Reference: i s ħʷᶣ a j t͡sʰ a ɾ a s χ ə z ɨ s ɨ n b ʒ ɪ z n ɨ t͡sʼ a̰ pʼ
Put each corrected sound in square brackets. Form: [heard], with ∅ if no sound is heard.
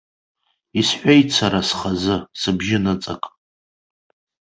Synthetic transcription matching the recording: i s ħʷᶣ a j t͡sʰ a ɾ a s χ [a] z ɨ s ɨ [∅] b ʒ ɪ [∅] n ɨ t͡sʼ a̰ [kʼ]